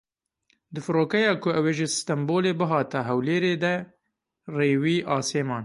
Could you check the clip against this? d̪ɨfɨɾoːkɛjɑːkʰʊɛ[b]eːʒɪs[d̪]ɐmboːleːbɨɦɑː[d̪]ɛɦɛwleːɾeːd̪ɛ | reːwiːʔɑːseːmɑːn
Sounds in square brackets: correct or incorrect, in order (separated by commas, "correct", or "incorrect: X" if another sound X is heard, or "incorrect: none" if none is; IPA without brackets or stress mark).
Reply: incorrect: w, incorrect: t̪, incorrect: t̪